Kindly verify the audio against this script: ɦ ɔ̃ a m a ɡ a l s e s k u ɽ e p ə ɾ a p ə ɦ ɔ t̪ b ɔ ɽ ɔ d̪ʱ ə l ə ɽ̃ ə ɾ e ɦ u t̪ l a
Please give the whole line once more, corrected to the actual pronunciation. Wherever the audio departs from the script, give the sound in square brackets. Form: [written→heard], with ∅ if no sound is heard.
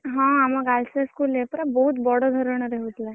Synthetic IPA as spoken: ɦ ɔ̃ a m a ɡ a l s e s k u [ɽ→l] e p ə ɾ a [p→b] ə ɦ [ɔ→u] t̪ b ɔ ɽ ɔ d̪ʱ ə [l→ɾ] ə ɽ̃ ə ɾ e ɦ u t̪ l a